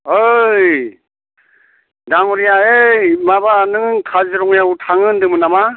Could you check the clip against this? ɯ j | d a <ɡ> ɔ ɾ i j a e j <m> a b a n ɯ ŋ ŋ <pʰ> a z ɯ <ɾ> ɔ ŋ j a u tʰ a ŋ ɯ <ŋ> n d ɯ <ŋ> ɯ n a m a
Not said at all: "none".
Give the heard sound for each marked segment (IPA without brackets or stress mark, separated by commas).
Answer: ŋ, m, kʰ, ɾ, none, m